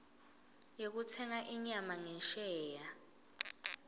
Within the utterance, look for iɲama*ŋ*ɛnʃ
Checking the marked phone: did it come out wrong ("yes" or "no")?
no